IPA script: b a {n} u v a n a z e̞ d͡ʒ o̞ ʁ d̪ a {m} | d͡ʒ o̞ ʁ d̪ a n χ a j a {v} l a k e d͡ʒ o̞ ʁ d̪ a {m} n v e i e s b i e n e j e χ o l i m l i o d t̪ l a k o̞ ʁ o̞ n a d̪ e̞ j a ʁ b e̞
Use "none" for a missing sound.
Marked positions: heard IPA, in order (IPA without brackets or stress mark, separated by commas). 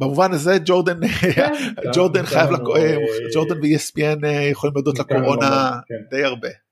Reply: m, n, v, none